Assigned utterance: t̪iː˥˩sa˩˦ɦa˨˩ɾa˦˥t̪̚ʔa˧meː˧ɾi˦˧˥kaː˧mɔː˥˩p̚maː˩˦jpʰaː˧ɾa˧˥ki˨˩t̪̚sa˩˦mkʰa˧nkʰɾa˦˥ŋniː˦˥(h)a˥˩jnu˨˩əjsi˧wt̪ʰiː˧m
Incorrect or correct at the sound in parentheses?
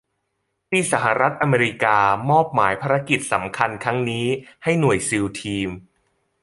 correct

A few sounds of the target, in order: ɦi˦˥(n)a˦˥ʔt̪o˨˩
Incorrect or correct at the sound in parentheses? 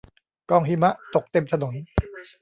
incorrect: m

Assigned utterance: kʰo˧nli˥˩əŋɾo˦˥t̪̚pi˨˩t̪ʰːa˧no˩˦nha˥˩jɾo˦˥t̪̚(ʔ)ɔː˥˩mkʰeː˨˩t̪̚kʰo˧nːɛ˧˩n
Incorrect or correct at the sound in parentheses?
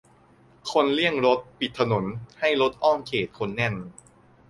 correct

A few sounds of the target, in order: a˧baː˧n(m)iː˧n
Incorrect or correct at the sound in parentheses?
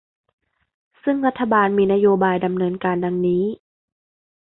correct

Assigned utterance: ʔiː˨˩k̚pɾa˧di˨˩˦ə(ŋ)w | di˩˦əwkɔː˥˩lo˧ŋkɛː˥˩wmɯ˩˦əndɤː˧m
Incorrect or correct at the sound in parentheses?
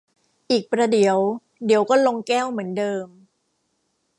incorrect: none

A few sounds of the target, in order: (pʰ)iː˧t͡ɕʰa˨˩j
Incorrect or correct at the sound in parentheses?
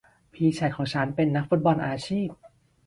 correct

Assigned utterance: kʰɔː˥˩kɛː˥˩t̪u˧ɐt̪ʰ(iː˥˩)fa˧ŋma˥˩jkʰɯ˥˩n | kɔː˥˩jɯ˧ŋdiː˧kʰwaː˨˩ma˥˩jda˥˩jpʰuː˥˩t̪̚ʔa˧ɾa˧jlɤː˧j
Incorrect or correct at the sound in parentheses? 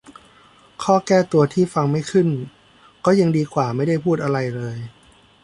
correct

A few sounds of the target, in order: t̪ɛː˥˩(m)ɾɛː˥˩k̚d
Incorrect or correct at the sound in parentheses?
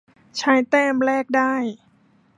correct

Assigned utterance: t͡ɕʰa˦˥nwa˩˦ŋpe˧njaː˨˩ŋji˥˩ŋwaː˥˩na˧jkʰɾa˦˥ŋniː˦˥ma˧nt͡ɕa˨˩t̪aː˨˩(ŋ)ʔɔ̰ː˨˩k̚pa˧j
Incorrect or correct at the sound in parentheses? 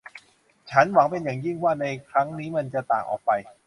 correct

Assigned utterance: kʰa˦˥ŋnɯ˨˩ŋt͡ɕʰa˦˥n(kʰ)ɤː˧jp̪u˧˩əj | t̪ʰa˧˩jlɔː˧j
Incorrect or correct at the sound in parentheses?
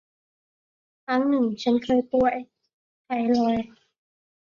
correct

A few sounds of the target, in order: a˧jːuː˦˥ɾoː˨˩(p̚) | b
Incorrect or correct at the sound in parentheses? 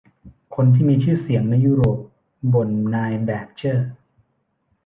correct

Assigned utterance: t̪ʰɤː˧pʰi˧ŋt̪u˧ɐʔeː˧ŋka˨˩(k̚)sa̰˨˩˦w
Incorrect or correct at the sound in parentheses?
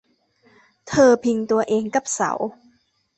incorrect: p̚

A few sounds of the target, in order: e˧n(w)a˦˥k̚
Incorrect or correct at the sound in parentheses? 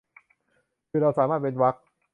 correct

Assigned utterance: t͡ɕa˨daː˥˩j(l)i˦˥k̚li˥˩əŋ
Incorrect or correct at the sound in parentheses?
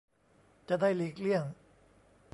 correct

